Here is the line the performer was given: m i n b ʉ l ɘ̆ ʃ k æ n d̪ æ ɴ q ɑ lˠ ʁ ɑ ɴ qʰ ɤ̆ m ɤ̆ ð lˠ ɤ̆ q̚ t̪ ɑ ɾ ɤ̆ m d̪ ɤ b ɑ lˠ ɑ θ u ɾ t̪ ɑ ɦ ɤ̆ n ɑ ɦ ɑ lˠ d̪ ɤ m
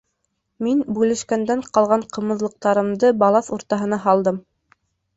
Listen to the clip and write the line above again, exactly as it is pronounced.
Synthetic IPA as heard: m i n b ʉ l ɘ̆ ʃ k æ n d̪ æ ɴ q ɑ lˠ ʁ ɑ ɴ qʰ ɤ̆ m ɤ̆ ð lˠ ɤ̆ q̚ t̪ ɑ ɾ ɤ̆ m d̪ ɤ b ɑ lˠ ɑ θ u ɾ t̪ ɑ ɦ ɤ̆ n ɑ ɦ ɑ lˠ d̪ ɤ m